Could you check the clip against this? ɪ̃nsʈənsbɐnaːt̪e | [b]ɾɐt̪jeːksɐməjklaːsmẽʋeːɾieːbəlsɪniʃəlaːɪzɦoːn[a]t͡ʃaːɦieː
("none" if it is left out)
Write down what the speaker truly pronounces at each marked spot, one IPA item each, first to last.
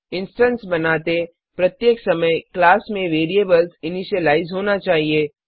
p, a

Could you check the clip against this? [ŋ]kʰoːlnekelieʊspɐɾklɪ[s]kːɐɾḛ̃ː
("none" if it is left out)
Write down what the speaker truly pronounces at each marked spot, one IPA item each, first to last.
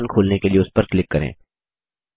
n, none

